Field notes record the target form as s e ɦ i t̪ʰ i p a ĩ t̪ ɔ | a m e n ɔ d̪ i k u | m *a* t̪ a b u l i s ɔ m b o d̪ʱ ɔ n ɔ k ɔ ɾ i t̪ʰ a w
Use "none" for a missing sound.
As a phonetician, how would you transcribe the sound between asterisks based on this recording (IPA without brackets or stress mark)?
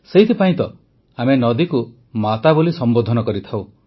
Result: a